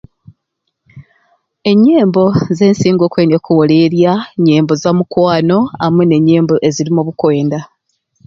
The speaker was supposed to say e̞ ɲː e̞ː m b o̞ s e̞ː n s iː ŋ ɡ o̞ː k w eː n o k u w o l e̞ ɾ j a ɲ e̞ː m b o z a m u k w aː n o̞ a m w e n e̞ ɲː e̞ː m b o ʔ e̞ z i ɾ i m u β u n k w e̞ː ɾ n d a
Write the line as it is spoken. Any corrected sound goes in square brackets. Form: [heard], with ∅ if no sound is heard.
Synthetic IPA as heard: e̞ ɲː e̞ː m b o̞ [z] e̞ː n s iː ŋ ɡ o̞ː k w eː n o k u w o l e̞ ɾ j a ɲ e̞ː m b o z a m u k w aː n o̞ a m w e n e̞ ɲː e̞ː m b o ʔ e̞ z i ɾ i m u β u [∅] k w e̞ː [∅] n d a